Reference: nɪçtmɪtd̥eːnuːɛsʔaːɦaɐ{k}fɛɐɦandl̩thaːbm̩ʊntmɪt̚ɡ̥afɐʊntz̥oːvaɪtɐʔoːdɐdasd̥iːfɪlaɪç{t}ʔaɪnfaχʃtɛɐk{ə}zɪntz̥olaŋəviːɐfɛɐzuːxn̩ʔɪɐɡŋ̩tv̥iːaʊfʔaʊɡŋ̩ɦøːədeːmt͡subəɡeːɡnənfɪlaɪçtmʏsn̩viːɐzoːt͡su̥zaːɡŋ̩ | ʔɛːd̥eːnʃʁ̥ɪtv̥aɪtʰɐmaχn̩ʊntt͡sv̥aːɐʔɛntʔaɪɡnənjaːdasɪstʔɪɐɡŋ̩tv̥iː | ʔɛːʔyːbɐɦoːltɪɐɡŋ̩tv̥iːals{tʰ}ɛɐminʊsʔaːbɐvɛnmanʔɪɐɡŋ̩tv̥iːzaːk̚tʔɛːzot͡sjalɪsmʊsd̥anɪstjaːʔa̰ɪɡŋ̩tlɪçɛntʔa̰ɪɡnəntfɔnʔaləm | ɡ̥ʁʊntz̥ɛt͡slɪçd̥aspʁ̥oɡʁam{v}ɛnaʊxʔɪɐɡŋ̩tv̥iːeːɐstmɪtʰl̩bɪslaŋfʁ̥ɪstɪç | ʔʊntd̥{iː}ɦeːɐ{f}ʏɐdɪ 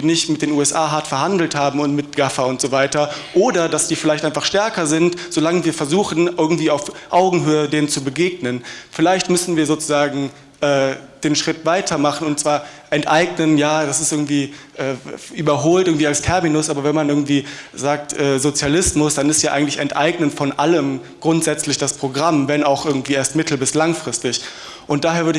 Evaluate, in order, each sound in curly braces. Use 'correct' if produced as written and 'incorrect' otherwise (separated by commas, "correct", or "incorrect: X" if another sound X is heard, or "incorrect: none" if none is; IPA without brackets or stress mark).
incorrect: t, correct, incorrect: ɐ, correct, correct, incorrect: aː, incorrect: v